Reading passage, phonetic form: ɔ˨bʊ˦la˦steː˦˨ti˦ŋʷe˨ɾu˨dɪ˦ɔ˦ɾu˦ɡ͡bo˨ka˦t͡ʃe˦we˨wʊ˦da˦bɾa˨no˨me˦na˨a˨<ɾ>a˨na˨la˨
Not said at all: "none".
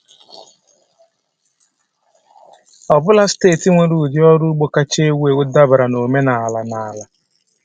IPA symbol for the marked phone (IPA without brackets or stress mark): l